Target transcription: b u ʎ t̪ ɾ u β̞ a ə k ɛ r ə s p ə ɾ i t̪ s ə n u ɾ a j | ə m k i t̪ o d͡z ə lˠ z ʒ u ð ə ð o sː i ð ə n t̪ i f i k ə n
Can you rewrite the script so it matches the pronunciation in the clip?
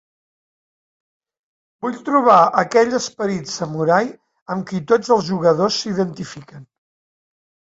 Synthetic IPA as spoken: b u ʎ t̪ ɾ u β̞ a ə k ɛ ʎ ə s p ə ɾ i t̪ s ə m u ɾ a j | ə m k i t̪ o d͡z ə lˠ z ʒ u ɣ ə ð o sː i ð ə n t̪ i f i k ə n